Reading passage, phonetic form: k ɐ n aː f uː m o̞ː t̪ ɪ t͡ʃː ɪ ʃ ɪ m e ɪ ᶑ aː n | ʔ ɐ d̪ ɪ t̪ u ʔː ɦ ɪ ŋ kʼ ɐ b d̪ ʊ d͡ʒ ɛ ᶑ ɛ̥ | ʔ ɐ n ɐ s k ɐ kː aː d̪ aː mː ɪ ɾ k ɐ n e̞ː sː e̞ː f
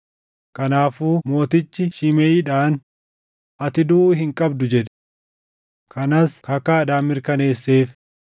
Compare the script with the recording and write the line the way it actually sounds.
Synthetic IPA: k ɐ n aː f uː m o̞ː t̪ ɪ t͡ʃː ɪ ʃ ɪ m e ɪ ᶑ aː n | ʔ ɐ t̪ ɪ d̪ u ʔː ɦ ɪ ŋ kʼ ɐ b d̪ ʊ d͡ʒ ɛ ᶑ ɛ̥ | k ɐ n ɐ s k ɐ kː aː d̪ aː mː ɪ ɾ k ɐ n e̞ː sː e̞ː f